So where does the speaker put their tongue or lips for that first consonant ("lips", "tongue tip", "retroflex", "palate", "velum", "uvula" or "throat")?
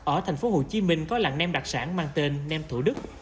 throat